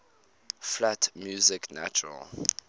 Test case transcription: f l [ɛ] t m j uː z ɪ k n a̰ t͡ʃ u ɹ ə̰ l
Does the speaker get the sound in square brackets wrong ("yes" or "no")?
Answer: yes